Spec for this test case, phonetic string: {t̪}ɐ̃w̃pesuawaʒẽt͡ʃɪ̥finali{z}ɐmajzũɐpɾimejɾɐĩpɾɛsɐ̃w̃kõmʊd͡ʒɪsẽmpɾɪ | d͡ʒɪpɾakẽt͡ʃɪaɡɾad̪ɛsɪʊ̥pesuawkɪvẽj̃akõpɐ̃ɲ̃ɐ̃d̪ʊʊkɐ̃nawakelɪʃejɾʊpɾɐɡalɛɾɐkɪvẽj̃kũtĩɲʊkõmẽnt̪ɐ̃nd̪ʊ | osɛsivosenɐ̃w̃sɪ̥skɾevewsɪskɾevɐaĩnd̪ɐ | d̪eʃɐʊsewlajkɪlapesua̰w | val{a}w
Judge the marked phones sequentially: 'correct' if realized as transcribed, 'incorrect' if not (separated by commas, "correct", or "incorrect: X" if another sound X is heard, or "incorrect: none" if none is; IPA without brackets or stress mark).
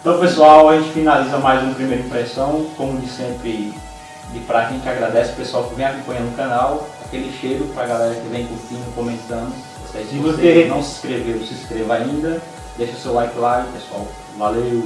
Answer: correct, correct, incorrect: e